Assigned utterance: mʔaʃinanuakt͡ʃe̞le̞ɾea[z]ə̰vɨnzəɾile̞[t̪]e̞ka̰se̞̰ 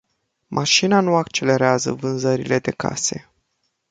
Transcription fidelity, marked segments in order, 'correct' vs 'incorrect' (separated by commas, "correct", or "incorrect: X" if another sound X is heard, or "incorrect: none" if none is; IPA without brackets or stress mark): correct, incorrect: d̪